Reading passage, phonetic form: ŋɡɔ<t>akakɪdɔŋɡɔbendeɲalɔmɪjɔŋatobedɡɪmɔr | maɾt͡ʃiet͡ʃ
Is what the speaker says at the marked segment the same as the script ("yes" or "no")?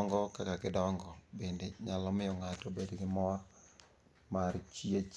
no